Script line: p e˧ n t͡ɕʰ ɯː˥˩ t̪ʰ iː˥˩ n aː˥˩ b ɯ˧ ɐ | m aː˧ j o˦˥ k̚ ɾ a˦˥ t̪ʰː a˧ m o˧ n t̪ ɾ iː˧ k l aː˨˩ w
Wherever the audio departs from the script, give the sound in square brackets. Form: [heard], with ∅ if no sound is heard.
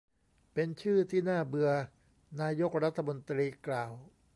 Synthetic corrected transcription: p e˧ n t͡ɕʰ ɯː˥˩ t̪ʰ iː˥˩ n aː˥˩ b ɯ˧ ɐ | [n] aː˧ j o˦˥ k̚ ɾ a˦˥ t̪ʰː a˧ m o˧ n t̪ ɾ iː˧ k l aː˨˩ w